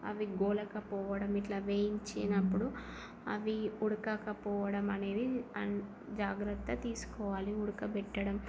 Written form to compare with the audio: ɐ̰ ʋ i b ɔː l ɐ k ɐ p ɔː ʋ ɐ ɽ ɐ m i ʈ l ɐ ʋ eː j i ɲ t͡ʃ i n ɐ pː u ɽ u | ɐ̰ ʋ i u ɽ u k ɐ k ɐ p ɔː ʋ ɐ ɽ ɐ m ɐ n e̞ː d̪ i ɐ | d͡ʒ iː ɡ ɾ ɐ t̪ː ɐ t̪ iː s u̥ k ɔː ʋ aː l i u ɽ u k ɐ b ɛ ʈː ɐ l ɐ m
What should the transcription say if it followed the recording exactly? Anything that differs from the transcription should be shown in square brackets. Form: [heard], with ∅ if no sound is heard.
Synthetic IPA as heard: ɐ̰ ʋ i [ɡ] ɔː l ɐ k ɐ p ɔː ʋ ɐ ɽ ɐ m i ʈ l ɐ ʋ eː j i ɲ t͡ʃ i n ɐ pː u ɽ u | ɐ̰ ʋ i u ɽ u k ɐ k ɐ p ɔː ʋ ɐ ɽ ɐ m ɐ n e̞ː d̪ i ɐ | d͡ʒ [aː] ɡ ɾ ɐ t̪ː ɐ t̪ iː s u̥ k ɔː ʋ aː l i u ɽ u k ɐ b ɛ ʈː ɐ [ɽ] ɐ m

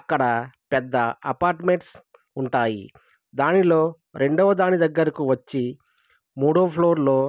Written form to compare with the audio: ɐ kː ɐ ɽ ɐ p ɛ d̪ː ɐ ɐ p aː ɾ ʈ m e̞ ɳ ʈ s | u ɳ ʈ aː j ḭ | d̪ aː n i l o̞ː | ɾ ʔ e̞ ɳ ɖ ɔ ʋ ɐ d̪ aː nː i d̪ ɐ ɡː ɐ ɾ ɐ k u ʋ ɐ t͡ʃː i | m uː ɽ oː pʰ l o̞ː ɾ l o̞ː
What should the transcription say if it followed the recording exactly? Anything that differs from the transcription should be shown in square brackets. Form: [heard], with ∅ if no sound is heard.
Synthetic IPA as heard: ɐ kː ɐ ɽ ɐ p ɛ d̪ː ɐ ɐ p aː ɾ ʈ m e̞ ɳ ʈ s | u ɳ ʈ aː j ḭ | d̪ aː n i l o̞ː | ɾ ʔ e̞ ɳ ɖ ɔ ʋ ɐ d̪ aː [n] i d̪ ɐ ɡː ɐ ɾ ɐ k u ʋ ɐ t͡ʃː i | m uː ɽ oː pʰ l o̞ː ɾ l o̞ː

